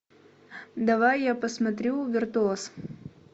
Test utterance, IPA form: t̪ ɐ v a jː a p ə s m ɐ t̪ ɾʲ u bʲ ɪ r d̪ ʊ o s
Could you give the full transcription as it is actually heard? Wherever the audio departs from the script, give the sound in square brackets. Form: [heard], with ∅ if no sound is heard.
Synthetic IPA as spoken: [d̪] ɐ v a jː a p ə s m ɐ t̪ ɾʲ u [vʲ] ɪ r [t̪] ʊ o s